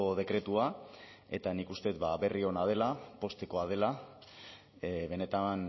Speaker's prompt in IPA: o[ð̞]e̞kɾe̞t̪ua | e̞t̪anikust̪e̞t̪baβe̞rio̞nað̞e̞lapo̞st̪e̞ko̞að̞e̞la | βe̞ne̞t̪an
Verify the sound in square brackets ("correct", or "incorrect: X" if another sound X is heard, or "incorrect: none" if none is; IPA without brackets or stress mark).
correct